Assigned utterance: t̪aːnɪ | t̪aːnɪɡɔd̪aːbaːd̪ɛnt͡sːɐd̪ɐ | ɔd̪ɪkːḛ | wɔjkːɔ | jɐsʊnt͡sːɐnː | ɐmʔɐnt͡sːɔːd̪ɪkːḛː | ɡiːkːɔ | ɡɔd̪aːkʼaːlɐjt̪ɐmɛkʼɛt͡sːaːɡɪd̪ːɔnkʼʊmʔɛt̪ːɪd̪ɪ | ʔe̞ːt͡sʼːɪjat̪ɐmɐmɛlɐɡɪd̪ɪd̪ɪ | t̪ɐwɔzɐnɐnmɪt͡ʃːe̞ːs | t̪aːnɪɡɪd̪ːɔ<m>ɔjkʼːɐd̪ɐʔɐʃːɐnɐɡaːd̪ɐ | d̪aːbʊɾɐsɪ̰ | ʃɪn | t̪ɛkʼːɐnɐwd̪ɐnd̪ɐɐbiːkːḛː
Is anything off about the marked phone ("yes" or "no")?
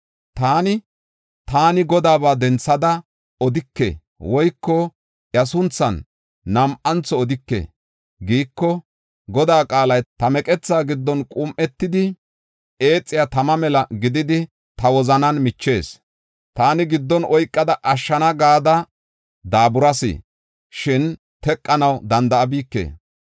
yes